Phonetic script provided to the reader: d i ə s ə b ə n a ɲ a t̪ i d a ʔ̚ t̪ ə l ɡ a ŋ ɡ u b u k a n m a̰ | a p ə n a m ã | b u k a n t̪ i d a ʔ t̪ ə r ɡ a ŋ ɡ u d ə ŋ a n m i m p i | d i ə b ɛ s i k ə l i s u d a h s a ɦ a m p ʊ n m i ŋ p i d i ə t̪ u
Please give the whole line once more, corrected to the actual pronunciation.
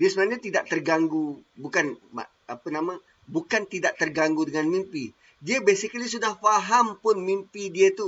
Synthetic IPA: d i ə s ə b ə n a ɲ a t̪ i d a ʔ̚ t̪ ə r ɡ a ŋ ɡ u b u k a n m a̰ | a p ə n a m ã | b u k a n t̪ i d a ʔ t̪ ə r ɡ a ŋ ɡ u d ə ŋ a n m i m p i | d i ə b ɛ s i k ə l i s u d a h f a ɦ a m p ʊ n m i m p i d i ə t̪ u